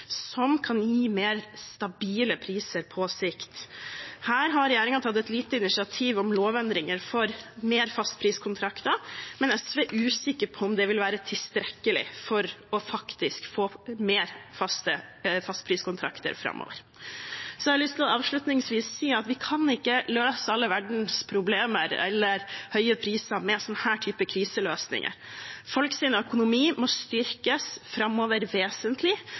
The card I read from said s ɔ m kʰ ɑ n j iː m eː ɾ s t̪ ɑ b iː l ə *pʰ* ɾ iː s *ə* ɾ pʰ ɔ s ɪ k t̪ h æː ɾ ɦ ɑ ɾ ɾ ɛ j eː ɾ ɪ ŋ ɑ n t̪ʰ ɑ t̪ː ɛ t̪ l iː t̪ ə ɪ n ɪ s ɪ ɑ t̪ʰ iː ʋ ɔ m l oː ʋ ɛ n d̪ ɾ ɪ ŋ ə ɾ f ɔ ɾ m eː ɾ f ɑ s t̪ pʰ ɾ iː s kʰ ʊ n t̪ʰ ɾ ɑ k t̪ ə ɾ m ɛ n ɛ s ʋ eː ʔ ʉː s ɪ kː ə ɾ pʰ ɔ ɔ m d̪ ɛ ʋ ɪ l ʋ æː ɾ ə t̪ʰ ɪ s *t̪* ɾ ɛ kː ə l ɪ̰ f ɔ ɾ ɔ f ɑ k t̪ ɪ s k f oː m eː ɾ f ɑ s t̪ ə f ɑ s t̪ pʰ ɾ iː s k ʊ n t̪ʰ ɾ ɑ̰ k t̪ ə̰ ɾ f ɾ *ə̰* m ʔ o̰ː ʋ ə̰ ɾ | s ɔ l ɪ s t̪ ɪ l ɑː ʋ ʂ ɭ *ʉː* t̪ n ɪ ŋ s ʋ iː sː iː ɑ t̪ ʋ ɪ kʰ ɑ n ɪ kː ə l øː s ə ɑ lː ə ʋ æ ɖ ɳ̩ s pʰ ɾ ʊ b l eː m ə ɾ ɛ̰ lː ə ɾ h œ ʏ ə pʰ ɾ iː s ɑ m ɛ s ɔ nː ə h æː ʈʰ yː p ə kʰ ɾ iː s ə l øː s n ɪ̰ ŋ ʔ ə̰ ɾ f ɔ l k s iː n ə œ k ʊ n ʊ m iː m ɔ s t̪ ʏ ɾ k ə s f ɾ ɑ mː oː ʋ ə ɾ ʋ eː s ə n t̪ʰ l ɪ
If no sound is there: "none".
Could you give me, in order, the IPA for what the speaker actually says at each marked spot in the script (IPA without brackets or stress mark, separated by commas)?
pʰ, ə, t̪, ɑ̰, ʉ